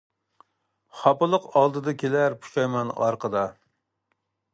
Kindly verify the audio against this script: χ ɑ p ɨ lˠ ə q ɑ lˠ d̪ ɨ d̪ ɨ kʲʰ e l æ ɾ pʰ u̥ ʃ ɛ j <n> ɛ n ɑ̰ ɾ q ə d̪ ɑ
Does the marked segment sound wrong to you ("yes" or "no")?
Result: yes